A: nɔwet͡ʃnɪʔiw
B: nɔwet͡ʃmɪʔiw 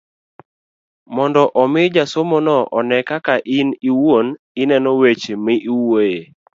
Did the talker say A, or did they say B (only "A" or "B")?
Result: B